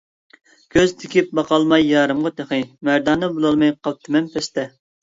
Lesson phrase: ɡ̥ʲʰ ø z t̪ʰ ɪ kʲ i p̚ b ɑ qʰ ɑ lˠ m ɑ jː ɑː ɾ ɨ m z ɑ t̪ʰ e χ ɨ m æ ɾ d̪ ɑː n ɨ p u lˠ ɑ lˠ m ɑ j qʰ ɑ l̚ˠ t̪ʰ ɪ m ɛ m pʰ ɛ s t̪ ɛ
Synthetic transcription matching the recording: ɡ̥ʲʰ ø z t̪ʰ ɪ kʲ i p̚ b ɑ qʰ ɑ lˠ m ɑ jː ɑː ɾ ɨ m ʁ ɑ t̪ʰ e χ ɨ m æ ɾ d̪ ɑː n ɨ b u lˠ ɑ lˠ m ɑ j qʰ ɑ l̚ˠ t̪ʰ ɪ m ɛ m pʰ ɛ s t̪ ɛ